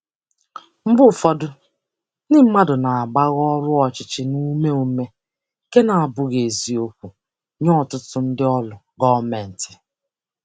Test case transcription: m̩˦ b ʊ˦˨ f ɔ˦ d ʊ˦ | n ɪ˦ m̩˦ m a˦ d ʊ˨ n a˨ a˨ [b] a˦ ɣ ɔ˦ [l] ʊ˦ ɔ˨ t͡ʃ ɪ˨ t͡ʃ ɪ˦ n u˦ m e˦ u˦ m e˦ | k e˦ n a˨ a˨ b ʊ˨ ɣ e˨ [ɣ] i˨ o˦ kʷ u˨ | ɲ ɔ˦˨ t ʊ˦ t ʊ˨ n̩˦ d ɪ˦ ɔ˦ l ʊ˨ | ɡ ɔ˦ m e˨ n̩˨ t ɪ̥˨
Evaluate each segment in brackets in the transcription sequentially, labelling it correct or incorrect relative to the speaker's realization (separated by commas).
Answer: incorrect, incorrect, incorrect